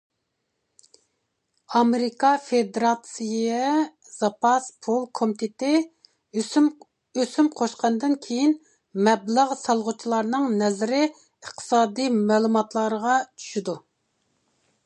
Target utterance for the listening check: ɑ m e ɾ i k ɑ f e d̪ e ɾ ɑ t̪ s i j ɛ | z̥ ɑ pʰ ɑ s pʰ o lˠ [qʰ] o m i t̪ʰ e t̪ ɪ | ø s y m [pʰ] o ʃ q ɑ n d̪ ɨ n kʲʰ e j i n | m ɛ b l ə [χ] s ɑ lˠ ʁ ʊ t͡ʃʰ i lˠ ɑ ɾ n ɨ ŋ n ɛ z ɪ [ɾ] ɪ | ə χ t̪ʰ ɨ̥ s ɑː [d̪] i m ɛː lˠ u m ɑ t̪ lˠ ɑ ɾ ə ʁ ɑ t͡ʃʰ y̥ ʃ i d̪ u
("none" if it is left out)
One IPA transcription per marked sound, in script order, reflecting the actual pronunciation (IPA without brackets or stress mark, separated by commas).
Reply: kʰ, qʰ, ʁ, ɾ, d̪